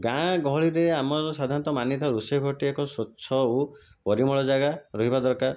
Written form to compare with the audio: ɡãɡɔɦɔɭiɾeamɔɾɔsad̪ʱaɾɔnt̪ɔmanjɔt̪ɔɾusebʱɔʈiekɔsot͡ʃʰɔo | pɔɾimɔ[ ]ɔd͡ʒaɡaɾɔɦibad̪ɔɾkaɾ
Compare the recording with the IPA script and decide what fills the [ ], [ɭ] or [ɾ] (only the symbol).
ɭ